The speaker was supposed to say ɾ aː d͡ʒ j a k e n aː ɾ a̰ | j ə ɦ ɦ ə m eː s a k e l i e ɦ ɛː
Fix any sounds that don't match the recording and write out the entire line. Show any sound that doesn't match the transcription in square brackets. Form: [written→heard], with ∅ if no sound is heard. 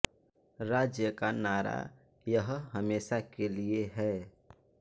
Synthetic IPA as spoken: ɾ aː d͡ʒ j [a→ə] k [e→a] n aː ɾ a̰ | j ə ɦ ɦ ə m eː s a k e l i e ɦ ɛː

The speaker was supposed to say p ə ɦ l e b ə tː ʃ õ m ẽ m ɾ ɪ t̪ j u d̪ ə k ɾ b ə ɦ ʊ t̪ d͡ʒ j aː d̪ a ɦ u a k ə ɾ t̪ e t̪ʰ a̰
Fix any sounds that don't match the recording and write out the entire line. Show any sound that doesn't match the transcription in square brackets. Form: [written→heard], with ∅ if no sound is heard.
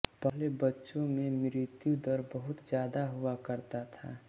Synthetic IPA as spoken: p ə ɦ l e b ə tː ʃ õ m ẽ m ɾ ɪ t̪ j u d̪ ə [k→∅] ɾ b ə ɦ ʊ t̪ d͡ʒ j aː d̪ a ɦ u a k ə ɾ t̪ [e→a] t̪ʰ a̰

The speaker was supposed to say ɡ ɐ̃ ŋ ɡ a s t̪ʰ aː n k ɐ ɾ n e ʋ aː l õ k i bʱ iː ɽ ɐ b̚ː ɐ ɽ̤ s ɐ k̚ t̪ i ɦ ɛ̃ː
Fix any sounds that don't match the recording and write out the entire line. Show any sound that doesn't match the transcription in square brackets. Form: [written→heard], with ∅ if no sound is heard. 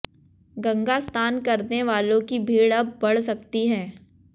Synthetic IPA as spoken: ɡ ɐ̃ ŋ ɡ a s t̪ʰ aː n k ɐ ɾ n e ʋ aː l õ k i bʱ iː ɽ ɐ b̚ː ɐ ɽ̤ s ɐ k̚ t̪ i ɦ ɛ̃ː

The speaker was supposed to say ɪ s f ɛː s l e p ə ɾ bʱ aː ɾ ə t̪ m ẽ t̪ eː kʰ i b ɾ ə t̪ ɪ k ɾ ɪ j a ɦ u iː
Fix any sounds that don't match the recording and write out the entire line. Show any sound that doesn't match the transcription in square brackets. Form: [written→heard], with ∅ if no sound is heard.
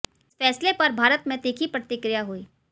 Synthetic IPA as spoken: ɪ s f ɛː s l e p [ə→ɐ] ɾ bʱ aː ɾ ə t̪ m ẽ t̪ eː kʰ i [b→p] ɾ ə t̪ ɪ k ɾ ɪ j a ɦ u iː

